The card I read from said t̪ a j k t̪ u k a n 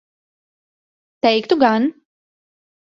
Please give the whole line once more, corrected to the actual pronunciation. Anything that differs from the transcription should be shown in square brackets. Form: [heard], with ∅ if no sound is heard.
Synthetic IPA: t̪ [ɛ] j k t̪ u [ɡ] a n